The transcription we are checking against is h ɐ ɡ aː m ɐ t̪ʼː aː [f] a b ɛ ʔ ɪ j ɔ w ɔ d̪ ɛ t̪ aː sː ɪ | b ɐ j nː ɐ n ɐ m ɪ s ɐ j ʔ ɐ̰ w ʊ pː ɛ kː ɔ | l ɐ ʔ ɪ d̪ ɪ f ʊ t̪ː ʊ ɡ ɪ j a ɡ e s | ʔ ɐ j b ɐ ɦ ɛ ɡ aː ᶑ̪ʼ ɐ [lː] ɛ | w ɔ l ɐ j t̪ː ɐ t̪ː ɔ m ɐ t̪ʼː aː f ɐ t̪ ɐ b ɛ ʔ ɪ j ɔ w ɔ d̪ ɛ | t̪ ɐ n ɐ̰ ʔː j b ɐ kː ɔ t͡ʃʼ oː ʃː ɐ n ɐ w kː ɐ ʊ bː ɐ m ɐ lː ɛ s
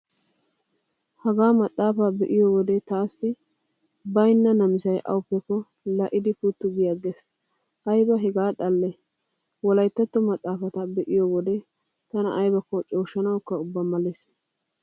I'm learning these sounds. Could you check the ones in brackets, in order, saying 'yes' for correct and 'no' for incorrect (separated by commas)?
yes, yes